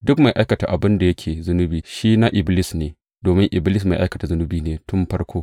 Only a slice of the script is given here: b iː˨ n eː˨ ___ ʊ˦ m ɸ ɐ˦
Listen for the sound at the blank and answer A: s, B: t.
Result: B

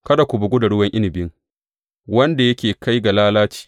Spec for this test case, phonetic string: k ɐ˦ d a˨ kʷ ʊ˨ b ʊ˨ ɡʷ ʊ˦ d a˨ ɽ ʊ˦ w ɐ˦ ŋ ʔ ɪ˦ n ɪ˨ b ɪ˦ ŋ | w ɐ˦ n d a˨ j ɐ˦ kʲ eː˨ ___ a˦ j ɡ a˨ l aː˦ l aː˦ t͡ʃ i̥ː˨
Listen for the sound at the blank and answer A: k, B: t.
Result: A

